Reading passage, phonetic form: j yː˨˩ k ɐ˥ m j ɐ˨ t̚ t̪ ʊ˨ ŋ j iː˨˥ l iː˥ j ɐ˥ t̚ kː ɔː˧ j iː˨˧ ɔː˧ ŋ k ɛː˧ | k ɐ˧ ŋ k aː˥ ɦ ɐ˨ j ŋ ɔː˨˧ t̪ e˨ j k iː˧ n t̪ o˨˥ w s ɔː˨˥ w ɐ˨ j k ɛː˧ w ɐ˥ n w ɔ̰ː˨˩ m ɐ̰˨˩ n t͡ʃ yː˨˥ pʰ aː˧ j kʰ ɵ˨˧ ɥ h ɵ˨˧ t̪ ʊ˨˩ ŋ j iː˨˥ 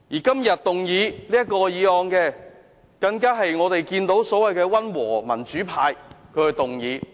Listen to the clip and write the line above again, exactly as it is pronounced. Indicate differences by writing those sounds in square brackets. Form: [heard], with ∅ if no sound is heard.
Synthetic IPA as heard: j [iː˨˩] k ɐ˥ m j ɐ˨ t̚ t̪ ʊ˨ ŋ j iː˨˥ l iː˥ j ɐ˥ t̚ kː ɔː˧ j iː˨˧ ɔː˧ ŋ k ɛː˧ | k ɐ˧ ŋ k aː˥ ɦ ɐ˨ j ŋ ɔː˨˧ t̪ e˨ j k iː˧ n t̪ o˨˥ w s ɔː˨˥ w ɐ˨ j k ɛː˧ w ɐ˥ n w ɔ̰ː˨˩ m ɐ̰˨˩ n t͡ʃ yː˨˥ pʰ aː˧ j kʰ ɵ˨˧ ɥ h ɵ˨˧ t̪ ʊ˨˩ ŋ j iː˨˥

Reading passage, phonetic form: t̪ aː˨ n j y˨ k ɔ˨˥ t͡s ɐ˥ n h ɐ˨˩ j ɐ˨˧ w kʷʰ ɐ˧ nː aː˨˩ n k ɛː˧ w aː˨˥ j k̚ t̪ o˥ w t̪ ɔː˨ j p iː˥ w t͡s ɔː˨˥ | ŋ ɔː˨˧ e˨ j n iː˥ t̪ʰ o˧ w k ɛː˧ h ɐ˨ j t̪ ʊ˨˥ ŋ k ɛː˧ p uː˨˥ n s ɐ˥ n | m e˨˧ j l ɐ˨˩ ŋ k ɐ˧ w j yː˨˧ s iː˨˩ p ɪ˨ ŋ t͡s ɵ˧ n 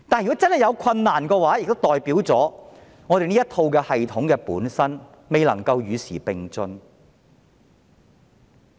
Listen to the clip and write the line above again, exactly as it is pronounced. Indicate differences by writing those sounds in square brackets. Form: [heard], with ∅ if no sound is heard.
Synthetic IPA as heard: t̪ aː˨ n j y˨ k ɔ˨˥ t͡s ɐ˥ n h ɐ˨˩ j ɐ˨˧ w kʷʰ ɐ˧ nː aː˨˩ n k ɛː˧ w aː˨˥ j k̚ t̪ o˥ w t̪ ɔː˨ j p [iː˨˥] w t͡s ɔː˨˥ | ŋ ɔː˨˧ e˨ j n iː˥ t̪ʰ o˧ w k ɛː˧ h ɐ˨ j [t̪ʰ] ʊ˨˥ ŋ k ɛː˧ p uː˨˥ n s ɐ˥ n | m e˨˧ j l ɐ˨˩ ŋ k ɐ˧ w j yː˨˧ s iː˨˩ p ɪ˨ ŋ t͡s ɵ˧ n

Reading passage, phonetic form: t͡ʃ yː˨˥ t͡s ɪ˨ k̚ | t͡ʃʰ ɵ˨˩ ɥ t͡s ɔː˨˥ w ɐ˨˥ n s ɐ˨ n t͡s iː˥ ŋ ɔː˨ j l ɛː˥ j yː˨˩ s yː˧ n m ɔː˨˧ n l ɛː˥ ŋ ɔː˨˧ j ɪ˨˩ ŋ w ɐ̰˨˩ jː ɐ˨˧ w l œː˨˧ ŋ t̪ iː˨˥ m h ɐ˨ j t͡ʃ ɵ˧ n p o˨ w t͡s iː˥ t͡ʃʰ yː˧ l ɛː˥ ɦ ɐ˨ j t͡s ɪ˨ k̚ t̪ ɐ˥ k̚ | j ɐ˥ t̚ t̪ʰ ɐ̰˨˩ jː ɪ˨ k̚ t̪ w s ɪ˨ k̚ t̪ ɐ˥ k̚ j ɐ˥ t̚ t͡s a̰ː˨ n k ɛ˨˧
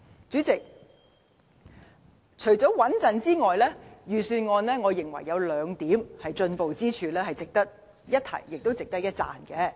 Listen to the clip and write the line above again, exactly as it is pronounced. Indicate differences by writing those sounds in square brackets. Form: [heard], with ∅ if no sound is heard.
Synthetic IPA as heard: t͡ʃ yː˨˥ t͡s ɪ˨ k̚ | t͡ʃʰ ɵ˨˩ ɥ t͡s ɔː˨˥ w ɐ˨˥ n [t͡s] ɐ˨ n t͡s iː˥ ŋ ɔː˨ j l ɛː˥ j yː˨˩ s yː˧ n [ŋ] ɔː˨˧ n l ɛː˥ ŋ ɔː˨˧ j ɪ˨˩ ŋ w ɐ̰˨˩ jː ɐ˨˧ w l œː˨˧ ŋ t̪ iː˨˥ m h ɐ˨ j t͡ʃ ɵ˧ n p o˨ w t͡s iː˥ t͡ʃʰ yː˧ l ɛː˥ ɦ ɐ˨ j t͡s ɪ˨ k̚ t̪ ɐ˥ k̚ | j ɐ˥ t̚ t̪ʰ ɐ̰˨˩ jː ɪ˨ k̚ t̪ w [t͡s] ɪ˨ k̚ t̪ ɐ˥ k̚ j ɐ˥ t̚ t͡s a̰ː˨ n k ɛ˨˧

